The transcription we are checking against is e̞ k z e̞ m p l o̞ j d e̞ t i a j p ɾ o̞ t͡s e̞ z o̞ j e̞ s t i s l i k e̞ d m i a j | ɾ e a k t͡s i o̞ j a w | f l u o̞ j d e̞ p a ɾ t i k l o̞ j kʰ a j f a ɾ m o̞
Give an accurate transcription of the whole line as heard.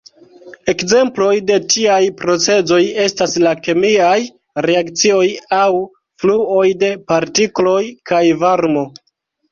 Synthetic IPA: e̞ k z e̞ m p l o̞ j d e̞ t i a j p ɾ o̞ t͡s e̞ z o̞ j e̞ s t a s l a k e̞ m i a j | ɾ e a k t͡s i o̞ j a w | f l u o̞ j d e̞ p a ɾ t i k l o̞ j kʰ a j v a ɾ m o̞